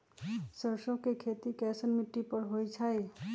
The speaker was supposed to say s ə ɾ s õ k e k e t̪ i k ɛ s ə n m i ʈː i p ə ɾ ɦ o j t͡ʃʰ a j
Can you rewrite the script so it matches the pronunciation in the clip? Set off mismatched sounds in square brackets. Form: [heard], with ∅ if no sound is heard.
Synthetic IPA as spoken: s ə ɾ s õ k e [kʰ] e t̪ i k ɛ s ə n m i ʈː i p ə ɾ ɦ o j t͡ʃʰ a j